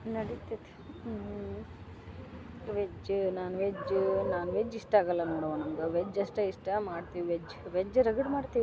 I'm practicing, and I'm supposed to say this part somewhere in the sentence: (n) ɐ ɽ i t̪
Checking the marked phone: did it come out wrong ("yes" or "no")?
no